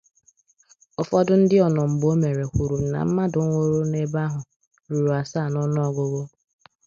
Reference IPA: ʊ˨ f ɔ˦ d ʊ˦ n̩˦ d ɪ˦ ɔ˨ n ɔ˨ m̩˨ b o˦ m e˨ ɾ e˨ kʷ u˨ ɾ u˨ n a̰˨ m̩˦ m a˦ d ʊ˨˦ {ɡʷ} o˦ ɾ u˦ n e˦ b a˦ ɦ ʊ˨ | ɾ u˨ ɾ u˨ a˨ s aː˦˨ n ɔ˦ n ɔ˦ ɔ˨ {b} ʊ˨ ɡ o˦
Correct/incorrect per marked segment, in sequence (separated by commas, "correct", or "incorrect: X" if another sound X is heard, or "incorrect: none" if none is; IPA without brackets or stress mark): incorrect: ŋʷ, incorrect: ɡ